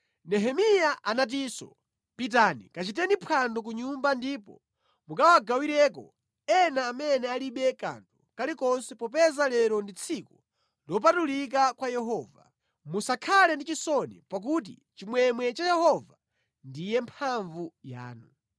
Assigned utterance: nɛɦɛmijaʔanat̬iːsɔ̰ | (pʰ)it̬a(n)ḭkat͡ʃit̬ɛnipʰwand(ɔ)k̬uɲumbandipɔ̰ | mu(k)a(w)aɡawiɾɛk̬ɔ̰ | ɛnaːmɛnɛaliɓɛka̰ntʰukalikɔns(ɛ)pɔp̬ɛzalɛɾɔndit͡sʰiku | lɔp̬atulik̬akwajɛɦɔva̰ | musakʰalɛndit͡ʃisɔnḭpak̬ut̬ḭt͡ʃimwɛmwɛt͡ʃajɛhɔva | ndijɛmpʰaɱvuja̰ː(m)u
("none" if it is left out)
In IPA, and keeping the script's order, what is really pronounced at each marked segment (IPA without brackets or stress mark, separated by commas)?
p, n, ɔ, k, w, ɛ, n